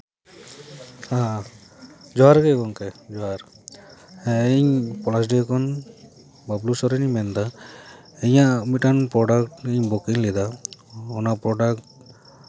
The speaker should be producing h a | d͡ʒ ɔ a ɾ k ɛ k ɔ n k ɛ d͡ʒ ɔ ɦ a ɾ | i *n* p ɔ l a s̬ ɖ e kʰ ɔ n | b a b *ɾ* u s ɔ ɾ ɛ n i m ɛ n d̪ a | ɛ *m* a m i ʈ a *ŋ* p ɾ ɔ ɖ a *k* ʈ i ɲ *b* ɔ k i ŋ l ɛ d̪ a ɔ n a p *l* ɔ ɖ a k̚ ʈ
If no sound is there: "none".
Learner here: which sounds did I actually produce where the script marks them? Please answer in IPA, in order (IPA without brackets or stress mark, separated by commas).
ɲ, l, ɲ, n, k, b, ɾ